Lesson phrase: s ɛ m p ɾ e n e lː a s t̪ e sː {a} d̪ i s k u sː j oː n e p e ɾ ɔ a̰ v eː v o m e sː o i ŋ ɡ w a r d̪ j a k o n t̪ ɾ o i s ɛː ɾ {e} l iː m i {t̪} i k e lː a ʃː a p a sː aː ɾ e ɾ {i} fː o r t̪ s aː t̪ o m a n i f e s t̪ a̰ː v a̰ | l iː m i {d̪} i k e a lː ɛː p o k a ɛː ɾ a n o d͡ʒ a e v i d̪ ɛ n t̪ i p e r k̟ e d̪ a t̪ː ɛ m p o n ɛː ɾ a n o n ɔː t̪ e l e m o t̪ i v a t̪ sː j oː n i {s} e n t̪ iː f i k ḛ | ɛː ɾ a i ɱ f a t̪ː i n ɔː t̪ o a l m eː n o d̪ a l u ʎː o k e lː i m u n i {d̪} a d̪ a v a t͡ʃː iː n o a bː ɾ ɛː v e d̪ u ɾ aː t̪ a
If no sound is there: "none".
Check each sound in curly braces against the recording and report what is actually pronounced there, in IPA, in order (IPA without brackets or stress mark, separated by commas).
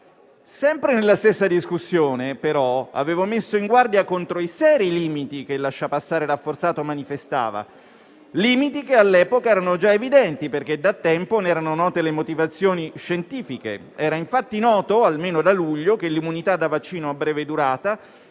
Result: a, i, t̪, a, t̪, ʃ, t̪